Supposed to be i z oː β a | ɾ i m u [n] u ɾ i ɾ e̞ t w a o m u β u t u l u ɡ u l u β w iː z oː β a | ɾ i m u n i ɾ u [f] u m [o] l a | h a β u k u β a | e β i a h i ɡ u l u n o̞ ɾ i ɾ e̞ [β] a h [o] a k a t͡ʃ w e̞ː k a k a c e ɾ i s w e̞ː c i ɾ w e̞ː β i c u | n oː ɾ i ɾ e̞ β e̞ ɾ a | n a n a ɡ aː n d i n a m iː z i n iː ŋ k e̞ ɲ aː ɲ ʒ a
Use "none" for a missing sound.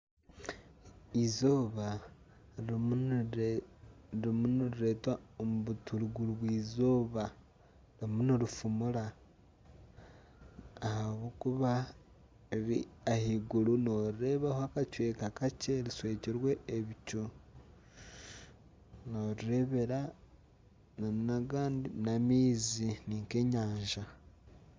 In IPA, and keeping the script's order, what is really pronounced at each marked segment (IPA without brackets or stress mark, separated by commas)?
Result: n, f, u, β, o